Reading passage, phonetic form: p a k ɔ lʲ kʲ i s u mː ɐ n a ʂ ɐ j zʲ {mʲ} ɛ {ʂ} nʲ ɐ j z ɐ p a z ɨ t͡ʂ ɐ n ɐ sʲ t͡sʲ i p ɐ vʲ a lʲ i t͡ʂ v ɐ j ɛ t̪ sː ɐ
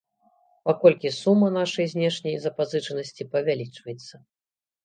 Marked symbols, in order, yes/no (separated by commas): no, yes